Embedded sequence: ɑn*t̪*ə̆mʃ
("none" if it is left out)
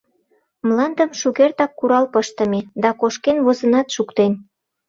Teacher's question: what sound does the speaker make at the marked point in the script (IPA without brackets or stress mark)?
d̪